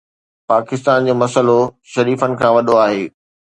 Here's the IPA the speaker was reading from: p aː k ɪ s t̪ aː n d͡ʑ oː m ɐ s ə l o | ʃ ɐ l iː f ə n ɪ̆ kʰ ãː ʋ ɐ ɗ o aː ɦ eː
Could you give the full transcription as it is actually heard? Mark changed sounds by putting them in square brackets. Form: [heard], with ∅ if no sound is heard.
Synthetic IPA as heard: p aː k ɪ s t̪ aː n d͡ʑ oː m ɐ s ə l o | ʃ ɐ [ɾ] iː f ə n ɪ̆ kʰ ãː ʋ ɐ ɗ o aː ɦ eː